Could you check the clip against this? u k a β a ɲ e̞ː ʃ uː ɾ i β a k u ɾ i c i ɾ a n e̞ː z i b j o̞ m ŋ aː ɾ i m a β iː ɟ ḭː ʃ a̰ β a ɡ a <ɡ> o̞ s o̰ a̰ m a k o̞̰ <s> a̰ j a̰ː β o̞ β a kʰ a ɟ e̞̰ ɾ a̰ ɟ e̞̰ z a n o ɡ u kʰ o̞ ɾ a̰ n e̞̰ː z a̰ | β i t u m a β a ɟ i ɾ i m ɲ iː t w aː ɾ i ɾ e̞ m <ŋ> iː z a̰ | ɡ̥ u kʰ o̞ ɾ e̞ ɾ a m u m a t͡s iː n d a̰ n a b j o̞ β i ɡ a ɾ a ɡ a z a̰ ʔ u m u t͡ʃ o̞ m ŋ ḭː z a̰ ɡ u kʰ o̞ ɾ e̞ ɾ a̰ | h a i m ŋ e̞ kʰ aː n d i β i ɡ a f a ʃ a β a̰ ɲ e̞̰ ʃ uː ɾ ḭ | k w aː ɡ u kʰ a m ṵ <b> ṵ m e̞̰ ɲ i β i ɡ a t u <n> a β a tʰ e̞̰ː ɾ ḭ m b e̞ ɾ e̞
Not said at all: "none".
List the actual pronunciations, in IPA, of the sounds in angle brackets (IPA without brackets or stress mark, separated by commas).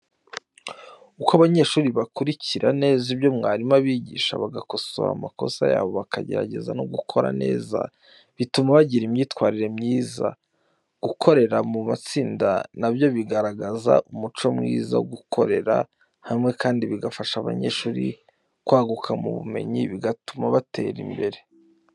k, s, ɲ, β, m